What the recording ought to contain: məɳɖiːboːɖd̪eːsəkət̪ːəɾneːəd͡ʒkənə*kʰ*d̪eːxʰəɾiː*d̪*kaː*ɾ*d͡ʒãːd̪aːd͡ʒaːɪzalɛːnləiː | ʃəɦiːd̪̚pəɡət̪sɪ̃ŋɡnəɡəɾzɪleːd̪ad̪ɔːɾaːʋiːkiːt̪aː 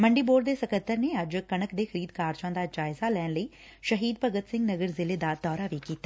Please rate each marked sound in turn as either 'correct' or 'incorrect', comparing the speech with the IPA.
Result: incorrect, correct, correct

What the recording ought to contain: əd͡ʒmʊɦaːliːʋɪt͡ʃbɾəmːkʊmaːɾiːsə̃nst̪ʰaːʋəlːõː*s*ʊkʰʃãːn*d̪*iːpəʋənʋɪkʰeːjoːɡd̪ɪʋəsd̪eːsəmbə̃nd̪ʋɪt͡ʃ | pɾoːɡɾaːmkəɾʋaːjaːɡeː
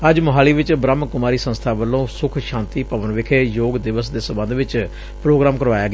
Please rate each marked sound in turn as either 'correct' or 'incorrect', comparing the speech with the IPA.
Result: correct, incorrect

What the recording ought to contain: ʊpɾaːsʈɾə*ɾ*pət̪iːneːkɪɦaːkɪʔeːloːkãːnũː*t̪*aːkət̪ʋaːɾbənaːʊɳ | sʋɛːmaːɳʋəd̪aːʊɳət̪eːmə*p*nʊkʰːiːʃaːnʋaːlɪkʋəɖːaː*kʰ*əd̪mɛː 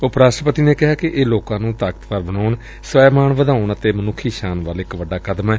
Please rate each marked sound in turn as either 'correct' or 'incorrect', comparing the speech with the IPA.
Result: incorrect, correct, incorrect, incorrect

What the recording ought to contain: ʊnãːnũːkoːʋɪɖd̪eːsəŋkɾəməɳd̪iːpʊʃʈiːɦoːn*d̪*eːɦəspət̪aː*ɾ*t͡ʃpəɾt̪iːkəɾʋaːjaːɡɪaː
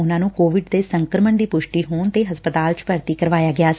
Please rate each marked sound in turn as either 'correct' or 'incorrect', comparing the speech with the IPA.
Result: incorrect, incorrect

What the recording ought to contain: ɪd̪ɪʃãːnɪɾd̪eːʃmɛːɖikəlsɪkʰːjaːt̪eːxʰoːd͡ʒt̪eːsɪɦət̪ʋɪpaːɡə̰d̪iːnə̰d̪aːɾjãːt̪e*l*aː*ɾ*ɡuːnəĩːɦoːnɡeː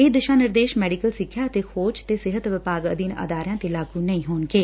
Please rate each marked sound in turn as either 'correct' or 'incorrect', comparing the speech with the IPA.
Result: correct, incorrect

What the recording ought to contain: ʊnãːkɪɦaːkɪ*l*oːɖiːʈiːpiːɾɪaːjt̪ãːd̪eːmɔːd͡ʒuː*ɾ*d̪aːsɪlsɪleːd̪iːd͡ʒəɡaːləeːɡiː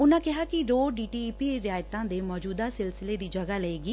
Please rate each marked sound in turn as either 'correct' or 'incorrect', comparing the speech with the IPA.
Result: incorrect, incorrect

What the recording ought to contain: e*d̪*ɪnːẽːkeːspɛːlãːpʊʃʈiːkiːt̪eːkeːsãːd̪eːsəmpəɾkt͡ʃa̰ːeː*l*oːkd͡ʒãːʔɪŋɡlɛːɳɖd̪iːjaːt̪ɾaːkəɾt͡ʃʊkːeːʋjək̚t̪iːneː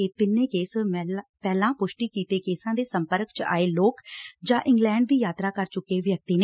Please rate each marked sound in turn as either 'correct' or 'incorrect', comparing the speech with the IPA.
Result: incorrect, correct

